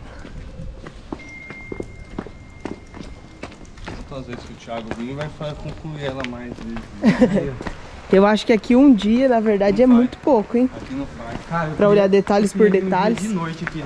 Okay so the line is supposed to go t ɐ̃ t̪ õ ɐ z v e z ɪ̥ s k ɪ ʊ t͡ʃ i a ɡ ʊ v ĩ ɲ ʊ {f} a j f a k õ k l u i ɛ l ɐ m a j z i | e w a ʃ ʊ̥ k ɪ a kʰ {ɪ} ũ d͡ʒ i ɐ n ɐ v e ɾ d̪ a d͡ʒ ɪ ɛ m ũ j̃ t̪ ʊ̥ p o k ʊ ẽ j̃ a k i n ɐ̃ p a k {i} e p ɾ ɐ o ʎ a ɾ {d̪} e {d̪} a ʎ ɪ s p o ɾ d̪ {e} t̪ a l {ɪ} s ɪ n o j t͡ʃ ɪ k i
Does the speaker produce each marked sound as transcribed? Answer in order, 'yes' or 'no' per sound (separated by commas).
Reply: no, no, no, yes, no, yes, yes